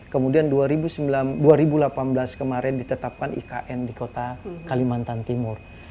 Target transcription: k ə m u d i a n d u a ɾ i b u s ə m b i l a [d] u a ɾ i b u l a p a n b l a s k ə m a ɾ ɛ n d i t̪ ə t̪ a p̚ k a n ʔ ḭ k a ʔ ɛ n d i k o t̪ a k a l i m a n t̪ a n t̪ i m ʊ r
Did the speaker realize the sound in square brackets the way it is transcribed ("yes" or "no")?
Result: yes